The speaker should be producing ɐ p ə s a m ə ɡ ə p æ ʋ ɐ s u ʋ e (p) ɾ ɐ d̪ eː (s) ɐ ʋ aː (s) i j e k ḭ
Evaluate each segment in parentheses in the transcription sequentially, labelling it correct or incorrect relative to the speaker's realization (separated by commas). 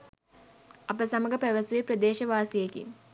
correct, incorrect, correct